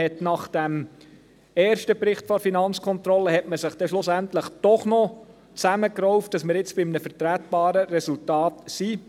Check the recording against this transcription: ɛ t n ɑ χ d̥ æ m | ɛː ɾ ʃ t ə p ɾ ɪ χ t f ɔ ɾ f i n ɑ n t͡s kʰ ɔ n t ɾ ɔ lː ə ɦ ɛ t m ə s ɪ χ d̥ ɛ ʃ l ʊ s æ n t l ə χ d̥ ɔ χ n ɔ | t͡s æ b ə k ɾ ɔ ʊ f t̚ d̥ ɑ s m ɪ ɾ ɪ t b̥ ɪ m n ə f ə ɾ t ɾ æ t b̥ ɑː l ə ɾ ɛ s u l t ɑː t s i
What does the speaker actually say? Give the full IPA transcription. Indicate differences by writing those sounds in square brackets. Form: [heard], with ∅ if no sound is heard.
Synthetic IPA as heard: ɛ t n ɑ χ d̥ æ m | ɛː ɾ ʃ t ə p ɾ ɪ χ t f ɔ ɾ f i n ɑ n t͡s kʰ ɔ n t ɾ ɔ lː ə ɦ ɛ t m ə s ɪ χ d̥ ɛ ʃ l ʊ s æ n t l ə χ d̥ ɔ χ n ɔ | t͡s æ [m] ə k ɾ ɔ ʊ f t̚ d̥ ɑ s m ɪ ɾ ɪ [t͡s] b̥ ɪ m n ə f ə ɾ t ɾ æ t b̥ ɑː [ɾ] ə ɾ ɛ s u l t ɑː t s i

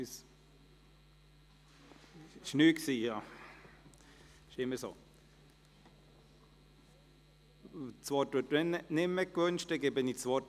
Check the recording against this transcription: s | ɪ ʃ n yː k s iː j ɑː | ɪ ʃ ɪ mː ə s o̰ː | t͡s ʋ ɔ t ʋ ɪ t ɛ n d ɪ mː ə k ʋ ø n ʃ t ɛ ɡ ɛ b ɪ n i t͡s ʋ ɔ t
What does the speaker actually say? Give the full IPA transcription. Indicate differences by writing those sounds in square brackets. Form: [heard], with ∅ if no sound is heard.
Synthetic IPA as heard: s | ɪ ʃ n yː k s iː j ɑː | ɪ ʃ ɪ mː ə s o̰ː | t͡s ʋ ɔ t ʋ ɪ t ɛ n [n] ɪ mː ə k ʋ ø n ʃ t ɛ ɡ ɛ b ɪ n i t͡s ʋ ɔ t

